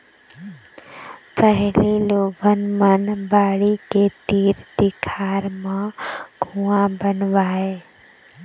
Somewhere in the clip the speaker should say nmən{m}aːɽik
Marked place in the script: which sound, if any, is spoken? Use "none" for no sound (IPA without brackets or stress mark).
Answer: b